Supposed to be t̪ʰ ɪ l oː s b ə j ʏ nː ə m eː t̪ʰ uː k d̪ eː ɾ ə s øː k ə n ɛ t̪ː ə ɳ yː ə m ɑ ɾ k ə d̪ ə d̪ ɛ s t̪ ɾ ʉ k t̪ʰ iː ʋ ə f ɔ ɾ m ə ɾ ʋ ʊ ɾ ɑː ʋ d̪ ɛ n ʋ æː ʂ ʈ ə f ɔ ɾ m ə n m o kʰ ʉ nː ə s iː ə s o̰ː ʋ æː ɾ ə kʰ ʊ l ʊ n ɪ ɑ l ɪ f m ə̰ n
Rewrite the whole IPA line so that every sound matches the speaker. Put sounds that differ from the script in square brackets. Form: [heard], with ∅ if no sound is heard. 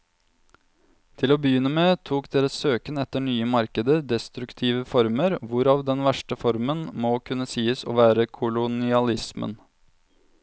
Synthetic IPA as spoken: t̪ʰ ɪ l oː [∅] b ə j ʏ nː ə m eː t̪ʰ uː k d̪ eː ɾ ə s øː k ə n ɛ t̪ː ə ɳ yː ə m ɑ ɾ k ə d̪ ə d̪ ɛ s t̪ ɾ ʉ k t̪ʰ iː ʋ ə f ɔ ɾ m ə ɾ ʋ ʊ ɾ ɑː ʋ d̪ ɛ n ʋ [æ] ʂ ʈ ə f ɔ ɾ m ə n m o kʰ ʉ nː ə s iː ə s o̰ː ʋ æː ɾ ə kʰ ʊ l ʊ n ɪ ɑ l ɪ [s] m ə̰ n

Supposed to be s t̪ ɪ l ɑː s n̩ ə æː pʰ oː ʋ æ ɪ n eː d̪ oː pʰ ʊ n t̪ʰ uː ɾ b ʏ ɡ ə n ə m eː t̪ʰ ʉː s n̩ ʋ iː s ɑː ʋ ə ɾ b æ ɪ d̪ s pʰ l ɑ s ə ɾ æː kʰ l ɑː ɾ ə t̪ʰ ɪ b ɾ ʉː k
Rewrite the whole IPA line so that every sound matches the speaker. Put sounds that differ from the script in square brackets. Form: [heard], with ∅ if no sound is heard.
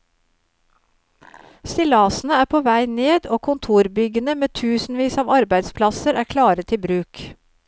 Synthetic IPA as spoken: s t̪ ɪ l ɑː s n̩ ə æː pʰ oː ʋ æ ɪ n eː d̪ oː [kʰ] ʊ n t̪ʰ uː ɾ b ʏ ɡ ə n ə m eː t̪ʰ ʉː s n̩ ʋ iː s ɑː ʋ [ɑ] ɾ b æ ɪ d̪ s pʰ l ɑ s ə ɾ æː kʰ l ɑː ɾ ə t̪ʰ ɪ b ɾ ʉː k

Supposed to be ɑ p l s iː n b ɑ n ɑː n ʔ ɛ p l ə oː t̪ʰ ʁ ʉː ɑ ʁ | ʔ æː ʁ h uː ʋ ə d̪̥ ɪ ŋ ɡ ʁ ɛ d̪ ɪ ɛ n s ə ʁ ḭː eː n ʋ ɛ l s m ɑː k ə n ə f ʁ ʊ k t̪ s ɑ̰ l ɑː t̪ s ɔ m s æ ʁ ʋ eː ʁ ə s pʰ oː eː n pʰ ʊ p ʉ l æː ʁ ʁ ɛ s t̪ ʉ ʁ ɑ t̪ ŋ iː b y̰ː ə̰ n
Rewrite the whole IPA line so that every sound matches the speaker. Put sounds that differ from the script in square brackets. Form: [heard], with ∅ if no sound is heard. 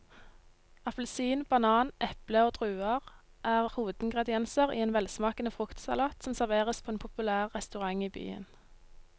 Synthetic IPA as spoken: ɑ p l s iː n b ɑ n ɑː n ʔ ɛ p l ə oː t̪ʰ ʁ ʉː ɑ ʁ | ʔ æː ʁ h uː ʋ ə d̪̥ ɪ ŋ ɡ ʁ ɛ d̪ ɪ ɛ n s ə ʁ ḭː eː n ʋ ɛ l s m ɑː k ə n ə f ʁ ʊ k t̪ s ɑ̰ l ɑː t̪ s ɔ m s æ ʁ ʋ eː ʁ ə s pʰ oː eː n pʰ ʊ p ʉ l æː ʁ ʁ ɛ s t̪ ʉ ʁ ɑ [∅] ŋ iː b y̰ː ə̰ n

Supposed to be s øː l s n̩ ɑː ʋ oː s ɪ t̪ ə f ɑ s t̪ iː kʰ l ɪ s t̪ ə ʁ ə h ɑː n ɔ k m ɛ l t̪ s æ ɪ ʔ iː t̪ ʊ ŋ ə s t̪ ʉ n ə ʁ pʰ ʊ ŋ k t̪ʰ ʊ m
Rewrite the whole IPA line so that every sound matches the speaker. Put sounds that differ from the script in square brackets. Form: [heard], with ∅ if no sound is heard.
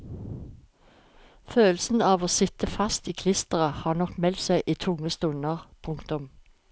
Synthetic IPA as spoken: [f] øː l s n̩ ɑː ʋ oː s ɪ t̪ ə f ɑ s t̪ iː kʰ l ɪ s t̪ ə ʁ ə h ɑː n ɔ k m ɛ l t̪ s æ ɪ ʔ iː [t̪ʰ] ʊ ŋ ə s t̪ ʉ n ə ʁ pʰ ʊ ŋ k [t̪] ʊ m

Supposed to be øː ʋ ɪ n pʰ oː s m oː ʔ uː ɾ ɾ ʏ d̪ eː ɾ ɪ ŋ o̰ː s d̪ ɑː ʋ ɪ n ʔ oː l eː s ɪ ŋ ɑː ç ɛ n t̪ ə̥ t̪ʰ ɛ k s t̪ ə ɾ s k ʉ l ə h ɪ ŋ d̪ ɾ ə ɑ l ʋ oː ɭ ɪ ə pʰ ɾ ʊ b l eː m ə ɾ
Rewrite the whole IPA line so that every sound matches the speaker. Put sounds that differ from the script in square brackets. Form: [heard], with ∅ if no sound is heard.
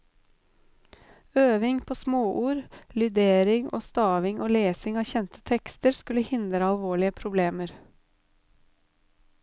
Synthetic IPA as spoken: øː ʋ ɪ [ŋ] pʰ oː s m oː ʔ uː ɾ [l] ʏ d̪ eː ɾ ɪ ŋ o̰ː s [t̪] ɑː ʋ ɪ [ŋ] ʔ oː l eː s ɪ ŋ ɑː ç ɛ n t̪ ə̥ t̪ʰ ɛ k s t̪ ə ɾ s k ʉ l ə h ɪ [n] d̪ ɾ ə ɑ l ʋ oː ɭ ɪ ə pʰ ɾ ʊ b l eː m ə ɾ

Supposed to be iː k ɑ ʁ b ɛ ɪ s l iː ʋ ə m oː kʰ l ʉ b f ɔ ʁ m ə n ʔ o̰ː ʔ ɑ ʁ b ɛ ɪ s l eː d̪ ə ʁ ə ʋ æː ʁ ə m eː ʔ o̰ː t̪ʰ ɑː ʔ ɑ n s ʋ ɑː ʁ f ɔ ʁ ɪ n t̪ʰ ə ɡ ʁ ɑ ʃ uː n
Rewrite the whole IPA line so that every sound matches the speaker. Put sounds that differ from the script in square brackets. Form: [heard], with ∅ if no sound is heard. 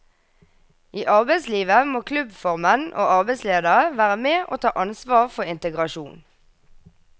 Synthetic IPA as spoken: iː [ʔ] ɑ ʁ b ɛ ɪ s l iː ʋ ə m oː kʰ l ʉ b f ɔ ʁ m ə n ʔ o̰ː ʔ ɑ ʁ b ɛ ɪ s l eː d̪ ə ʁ ə ʋ æː ʁ ə m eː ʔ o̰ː t̪ʰ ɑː ʔ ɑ n s ʋ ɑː ʁ f ɔ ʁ ɪ n [t̪] ə ɡ ʁ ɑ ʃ uː n

